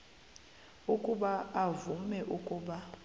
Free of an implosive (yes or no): no